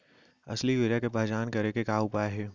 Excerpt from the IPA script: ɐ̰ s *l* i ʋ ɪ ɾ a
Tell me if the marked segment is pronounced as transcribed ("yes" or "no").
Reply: yes